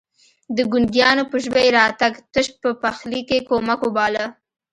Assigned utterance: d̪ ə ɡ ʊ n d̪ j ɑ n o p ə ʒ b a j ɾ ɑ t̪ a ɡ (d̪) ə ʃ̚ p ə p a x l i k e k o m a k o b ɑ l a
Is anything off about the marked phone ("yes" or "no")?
yes